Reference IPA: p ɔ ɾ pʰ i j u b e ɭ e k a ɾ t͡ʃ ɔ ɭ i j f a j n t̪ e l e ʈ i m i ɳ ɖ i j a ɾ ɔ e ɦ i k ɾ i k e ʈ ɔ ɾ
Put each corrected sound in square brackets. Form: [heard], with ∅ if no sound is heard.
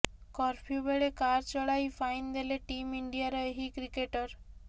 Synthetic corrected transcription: [k] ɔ ɾ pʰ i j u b e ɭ e k a ɾ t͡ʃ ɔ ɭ [a] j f a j n [d̪] e l e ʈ i m i ɳ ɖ i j a ɾ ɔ e ɦ i k ɾ i k e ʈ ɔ ɾ